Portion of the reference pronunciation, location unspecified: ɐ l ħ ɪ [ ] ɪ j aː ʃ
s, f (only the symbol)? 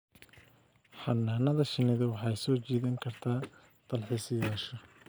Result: s